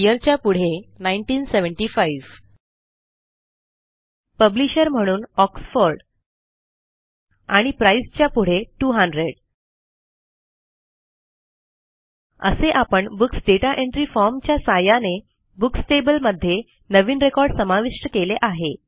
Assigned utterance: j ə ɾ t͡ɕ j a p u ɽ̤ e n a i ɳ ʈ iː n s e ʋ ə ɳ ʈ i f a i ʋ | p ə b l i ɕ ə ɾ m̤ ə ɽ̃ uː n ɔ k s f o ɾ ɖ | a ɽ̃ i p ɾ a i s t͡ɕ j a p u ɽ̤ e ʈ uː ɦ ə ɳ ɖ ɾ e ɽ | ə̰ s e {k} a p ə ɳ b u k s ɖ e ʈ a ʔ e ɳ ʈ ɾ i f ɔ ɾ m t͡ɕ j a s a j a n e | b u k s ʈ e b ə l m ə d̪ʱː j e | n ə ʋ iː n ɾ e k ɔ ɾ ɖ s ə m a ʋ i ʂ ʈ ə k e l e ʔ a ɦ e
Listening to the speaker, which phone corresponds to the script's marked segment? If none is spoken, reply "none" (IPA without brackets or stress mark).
ʔ